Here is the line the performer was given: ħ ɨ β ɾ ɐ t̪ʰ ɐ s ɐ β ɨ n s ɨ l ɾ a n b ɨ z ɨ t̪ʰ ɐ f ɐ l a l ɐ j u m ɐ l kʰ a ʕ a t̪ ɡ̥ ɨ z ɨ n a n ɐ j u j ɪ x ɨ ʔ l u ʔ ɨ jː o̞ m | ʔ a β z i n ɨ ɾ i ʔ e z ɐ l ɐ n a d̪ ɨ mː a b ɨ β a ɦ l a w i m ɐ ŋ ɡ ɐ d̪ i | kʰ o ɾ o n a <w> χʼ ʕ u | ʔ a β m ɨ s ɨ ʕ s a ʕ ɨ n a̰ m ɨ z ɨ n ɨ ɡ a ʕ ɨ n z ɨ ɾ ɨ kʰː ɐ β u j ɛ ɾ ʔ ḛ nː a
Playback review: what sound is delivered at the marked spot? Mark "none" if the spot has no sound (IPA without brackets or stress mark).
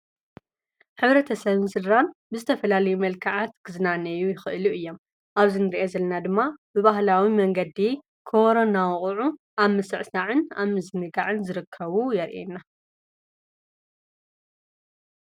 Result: w